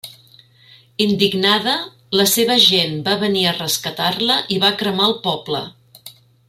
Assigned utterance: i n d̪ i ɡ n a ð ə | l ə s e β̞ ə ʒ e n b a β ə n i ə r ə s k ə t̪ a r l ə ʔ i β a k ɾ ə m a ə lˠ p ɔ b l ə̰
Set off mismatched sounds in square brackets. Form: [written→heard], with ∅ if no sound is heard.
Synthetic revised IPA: i n d̪ i ɡ n a ð ə | l ə s e β̞ ə ʒ e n b a β ə n i ə r ə s k ə t̪ a r l ə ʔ i β a k ɾ ə m a ə lˠ p ɔ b l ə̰